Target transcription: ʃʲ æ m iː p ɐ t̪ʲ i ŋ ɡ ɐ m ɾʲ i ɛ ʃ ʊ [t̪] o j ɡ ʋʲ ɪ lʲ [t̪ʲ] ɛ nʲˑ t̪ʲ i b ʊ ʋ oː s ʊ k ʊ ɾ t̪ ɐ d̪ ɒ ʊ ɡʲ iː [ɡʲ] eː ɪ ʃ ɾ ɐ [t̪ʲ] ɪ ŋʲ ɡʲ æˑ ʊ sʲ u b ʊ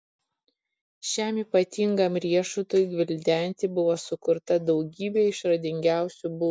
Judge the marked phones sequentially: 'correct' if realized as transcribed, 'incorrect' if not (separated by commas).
correct, incorrect, incorrect, incorrect